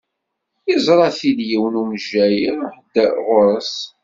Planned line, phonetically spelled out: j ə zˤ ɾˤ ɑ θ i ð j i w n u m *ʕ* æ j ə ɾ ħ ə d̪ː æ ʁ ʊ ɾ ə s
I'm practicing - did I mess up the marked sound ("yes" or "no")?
yes